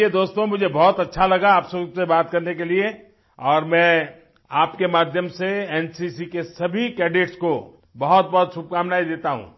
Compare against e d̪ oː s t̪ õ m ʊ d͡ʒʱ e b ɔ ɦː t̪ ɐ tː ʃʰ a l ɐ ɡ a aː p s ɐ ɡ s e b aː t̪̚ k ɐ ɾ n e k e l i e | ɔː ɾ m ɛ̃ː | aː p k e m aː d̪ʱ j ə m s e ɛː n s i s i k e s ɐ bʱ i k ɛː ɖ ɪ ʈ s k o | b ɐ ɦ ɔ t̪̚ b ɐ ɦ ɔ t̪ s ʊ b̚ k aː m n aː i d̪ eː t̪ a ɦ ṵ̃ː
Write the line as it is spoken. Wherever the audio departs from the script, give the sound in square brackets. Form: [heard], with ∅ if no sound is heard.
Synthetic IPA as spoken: e d̪ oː s t̪ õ m ʊ d͡ʒʱ e b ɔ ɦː t̪ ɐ tː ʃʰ a l ɐ ɡ a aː p s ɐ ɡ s e b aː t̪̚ k ɐ ɾ n e k e l i e | ɔː ɾ m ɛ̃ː | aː p k e m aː d̪ʱ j ə m s e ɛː n s i s i k e s ɐ bʱ i k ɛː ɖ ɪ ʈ s k o | b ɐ ɦ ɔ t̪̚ b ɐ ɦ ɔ t̪ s ʊ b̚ k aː m n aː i d̪ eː t̪ a ɦ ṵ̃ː

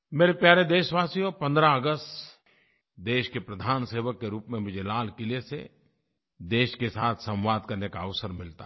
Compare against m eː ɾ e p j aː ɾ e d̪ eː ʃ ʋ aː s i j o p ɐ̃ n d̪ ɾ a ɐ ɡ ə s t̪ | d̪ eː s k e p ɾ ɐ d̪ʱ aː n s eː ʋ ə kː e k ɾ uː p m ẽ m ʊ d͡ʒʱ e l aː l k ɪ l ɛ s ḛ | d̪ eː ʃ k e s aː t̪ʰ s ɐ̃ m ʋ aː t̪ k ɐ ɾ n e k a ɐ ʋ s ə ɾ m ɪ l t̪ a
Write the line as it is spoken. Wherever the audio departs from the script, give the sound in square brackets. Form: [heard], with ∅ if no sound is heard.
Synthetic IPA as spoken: m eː ɾ e p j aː ɾ e d̪ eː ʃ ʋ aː s i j o p ɐ̃ n d̪ ɾ a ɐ ɡ ə s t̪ | d̪ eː [ʃ] k e p ɾ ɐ d̪ʱ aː n s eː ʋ ə kː e [∅] ɾ uː p m ẽ m ʊ d͡ʒʱ e l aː l k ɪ l [e] s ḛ | d̪ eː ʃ k e s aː t̪ʰ s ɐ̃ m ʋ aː [d̪] k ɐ ɾ n e k a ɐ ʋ s ə ɾ m ɪ l t̪ a

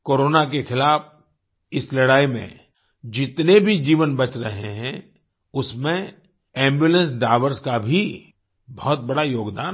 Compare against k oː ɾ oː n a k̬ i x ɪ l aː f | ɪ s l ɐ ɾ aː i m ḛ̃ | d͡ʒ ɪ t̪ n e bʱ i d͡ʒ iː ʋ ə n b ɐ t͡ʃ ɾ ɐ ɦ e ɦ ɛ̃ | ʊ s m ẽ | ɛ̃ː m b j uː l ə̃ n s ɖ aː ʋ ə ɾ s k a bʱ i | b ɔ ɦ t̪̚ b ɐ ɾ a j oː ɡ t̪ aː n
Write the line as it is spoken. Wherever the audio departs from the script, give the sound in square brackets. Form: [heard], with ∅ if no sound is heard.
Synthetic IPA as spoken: k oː ɾ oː n a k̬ [e] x ɪ l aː f | ɪ s l ɐ [ɽ] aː i m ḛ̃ | d͡ʒ ɪ t̪ n e bʱ i d͡ʒ iː ʋ ə n b ɐ t͡ʃ ɾ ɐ ɦ e ɦ ɛ̃ | ʊ s m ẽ | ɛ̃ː m b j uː l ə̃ n s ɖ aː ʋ ə ɾ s k a bʱ i | b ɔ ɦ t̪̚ b ɐ [ɽ] a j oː ɡ [d̪] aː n

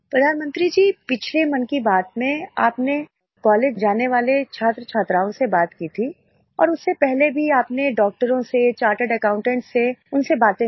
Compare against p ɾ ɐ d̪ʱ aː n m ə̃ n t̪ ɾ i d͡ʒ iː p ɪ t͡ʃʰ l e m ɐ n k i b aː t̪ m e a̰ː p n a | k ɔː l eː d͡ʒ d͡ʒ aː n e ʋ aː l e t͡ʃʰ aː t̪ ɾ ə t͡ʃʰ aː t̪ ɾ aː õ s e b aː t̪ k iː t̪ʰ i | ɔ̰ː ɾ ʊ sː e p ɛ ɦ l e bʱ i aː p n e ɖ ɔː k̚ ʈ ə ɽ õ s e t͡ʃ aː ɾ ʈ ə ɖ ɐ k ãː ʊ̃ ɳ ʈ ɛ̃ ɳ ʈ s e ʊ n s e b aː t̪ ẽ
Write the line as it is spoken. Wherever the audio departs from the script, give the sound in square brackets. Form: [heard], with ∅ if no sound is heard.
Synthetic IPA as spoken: p ɾ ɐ d̪ʱ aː n m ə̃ n t̪ ɾ i d͡ʒ iː p ɪ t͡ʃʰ l e m ɐ n k i b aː t̪ m [ẽ] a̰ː p n [e] | k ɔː l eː d͡ʒ d͡ʒ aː n e ʋ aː l e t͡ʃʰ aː t̪ ɾ ə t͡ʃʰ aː t̪ ɾ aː õ s e b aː t̪ k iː t̪ʰ i | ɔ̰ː ɾ ʊ sː e p ɛ ɦ l e bʱ i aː p n e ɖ ɔː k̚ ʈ ə [ɾ] õ s e t͡ʃ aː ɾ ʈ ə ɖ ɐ k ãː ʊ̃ ɳ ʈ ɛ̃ ɳ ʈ s e ʊ n s e b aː t̪ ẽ

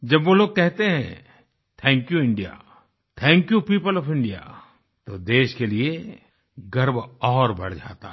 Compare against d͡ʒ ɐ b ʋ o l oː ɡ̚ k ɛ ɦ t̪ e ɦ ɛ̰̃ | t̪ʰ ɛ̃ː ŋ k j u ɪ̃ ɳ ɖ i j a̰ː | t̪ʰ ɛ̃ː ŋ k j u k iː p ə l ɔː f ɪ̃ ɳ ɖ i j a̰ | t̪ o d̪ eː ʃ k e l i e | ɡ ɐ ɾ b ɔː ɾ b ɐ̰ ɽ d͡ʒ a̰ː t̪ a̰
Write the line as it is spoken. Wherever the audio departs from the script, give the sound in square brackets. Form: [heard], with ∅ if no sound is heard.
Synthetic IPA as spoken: d͡ʒ ɐ b ʋ o l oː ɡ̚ k ɛ ɦ t̪ e ɦ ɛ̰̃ | t̪ʰ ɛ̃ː ŋ k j u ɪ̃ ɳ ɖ i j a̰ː | t̪ʰ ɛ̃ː ŋ k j u [p] iː p ə l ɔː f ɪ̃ ɳ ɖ i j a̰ | t̪ o d̪ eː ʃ k e l i e | ɡ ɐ ɾ b ɔː ɾ b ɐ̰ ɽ d͡ʒ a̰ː t̪ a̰

